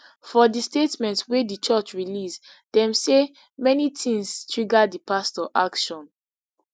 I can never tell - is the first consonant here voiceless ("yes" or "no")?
yes